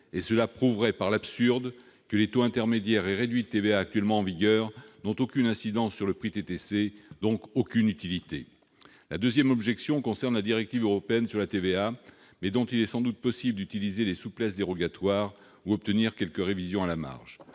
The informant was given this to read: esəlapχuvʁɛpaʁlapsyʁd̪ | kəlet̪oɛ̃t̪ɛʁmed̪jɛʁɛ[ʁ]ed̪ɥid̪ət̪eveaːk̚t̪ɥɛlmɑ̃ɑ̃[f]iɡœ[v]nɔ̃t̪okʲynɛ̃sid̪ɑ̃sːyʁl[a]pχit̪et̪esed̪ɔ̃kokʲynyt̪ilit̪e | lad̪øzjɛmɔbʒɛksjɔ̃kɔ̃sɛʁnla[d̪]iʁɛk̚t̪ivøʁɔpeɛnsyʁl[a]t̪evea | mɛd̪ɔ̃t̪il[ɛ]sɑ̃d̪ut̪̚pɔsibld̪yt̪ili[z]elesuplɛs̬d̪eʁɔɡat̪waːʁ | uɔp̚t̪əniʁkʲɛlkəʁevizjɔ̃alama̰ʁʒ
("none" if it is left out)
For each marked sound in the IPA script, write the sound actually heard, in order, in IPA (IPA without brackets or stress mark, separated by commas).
ʁ, v, ʁ, ə, d̪, a, ɛ, z